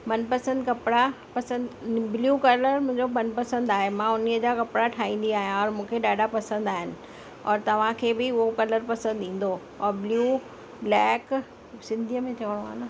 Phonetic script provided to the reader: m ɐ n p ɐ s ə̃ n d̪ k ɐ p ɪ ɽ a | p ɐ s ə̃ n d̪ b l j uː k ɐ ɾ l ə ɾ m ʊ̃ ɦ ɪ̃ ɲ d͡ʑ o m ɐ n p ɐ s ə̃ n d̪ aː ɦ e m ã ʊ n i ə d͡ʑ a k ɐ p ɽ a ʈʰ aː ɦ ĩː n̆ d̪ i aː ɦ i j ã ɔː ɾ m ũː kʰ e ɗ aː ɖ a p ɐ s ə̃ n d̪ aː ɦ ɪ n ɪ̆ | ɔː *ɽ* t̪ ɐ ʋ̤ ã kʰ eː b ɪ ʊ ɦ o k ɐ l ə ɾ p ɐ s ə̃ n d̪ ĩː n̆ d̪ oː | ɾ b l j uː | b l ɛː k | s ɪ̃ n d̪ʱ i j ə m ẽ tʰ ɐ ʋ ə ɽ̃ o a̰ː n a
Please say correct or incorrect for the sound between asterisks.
incorrect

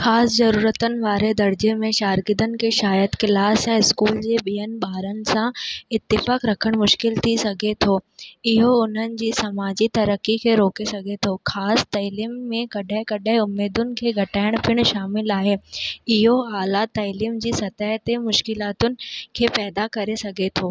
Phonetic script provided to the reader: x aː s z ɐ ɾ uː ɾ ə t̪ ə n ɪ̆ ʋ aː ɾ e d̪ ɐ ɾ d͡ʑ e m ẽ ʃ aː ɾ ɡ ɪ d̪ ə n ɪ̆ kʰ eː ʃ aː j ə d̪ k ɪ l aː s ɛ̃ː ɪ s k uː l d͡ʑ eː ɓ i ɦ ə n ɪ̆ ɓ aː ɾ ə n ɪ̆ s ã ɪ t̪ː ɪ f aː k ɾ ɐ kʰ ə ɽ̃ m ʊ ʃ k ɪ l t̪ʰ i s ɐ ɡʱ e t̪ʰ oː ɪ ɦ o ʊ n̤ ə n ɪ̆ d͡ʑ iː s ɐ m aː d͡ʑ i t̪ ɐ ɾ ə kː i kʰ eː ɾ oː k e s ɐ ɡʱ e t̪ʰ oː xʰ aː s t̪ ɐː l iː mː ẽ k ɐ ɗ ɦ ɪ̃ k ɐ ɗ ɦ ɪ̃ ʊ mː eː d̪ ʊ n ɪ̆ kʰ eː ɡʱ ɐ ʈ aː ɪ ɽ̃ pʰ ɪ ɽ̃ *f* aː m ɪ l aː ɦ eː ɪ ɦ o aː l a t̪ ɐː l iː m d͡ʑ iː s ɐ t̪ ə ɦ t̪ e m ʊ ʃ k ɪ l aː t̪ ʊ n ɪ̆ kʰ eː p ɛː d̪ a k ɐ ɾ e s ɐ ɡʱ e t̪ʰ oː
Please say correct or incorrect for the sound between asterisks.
incorrect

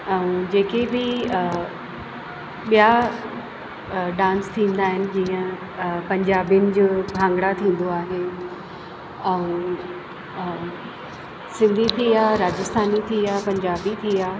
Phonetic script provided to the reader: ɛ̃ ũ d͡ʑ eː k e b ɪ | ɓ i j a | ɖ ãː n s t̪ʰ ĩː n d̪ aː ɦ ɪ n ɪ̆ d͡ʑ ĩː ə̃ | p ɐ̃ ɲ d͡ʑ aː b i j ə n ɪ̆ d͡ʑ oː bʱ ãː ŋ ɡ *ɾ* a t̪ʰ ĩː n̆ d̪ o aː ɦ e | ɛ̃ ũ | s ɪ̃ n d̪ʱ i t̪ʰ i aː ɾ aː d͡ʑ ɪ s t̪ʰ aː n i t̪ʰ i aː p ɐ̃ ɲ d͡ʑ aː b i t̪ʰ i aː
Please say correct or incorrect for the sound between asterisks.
incorrect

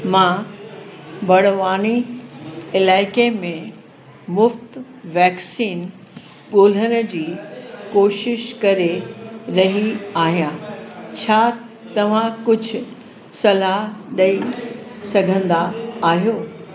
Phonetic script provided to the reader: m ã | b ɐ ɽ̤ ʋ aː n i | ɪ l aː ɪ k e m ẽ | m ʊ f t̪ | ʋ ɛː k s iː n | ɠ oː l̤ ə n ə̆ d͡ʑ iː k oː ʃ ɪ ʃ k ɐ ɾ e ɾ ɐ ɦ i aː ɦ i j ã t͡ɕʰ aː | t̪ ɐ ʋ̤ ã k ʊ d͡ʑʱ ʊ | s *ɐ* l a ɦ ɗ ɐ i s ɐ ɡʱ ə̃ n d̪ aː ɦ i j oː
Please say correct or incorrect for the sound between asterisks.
correct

